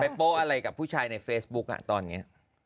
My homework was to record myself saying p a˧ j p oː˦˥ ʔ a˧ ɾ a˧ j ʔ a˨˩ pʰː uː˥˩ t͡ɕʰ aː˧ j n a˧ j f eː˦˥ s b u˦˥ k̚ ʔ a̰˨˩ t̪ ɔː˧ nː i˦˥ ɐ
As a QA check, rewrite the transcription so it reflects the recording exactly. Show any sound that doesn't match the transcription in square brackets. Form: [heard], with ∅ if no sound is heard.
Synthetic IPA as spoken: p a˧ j p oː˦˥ ʔ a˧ ɾ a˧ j [k] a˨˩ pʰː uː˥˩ t͡ɕʰ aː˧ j n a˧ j f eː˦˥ s b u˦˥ k̚ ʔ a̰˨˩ t̪ ɔː˧ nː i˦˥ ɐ